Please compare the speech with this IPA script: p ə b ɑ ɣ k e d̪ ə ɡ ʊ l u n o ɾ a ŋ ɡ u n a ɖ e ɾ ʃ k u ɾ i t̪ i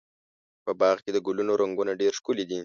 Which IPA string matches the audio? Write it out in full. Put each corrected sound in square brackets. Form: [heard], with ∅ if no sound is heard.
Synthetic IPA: p ə b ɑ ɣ k e d̪ ə ɡ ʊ l u n o ɾ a ŋ ɡ u n a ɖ e ɾ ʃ k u [l] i [d̪] i